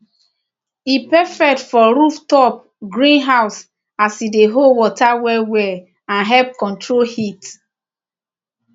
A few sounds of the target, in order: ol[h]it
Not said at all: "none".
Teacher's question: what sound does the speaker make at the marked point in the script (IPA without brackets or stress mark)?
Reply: h